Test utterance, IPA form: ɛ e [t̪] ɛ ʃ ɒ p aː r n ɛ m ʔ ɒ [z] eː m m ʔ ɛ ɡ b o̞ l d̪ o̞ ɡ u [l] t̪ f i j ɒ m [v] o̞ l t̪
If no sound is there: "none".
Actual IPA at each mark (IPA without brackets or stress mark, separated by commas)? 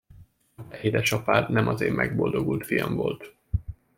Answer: d̪, z, l, v